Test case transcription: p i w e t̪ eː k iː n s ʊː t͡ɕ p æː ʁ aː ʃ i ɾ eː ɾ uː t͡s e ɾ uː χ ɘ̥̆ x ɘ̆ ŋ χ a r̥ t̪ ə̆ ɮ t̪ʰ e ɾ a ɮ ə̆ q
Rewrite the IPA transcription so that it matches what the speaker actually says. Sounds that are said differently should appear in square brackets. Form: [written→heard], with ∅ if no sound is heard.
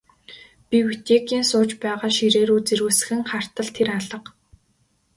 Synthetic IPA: p i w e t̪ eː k iː n s ʊː t͡ɕ p æː ʁ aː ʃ i ɾ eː ɾ uː t͡s e ɾ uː [χ→s] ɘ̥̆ x ɘ̆ ŋ χ a r̥ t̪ ə̆ ɮ t̪ʰ e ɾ a ɮ ə̆ q